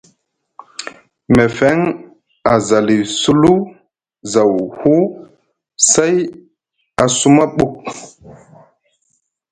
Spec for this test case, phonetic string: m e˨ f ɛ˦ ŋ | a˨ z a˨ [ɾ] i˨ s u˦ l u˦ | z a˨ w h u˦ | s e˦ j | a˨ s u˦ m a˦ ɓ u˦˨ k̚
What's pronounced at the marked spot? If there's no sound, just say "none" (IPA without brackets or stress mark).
l